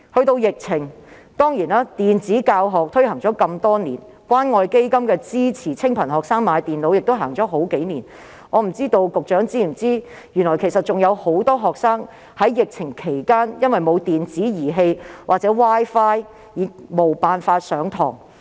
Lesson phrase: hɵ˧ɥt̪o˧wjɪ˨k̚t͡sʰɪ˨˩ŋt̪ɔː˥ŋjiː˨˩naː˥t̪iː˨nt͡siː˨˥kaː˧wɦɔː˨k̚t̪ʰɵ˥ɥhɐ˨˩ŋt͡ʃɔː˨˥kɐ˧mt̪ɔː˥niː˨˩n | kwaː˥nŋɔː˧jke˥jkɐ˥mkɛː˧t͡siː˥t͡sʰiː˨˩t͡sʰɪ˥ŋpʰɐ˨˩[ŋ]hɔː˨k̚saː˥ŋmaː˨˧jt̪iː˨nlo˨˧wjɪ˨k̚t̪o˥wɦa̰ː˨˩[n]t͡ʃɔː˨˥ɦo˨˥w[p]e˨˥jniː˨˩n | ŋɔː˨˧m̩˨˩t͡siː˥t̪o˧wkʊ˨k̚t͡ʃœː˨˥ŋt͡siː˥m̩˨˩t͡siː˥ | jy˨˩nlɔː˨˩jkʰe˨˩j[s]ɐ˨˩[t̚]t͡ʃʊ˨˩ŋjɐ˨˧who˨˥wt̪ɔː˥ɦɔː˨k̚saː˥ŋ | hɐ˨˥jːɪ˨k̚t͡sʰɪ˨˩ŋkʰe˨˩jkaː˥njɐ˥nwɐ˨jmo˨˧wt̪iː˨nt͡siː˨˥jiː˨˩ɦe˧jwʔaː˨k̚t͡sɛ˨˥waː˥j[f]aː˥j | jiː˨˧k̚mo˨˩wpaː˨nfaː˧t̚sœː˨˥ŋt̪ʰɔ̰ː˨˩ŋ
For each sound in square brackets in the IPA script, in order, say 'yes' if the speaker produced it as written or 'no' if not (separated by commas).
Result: no, no, no, yes, yes, yes